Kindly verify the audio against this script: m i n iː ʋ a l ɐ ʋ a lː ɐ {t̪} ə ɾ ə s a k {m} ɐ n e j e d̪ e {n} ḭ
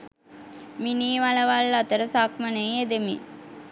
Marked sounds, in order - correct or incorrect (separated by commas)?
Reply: correct, correct, incorrect